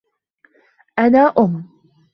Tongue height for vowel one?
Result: low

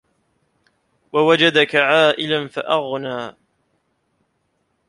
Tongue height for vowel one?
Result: low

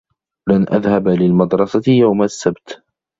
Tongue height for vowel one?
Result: low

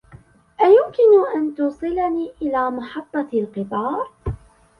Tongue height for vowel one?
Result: low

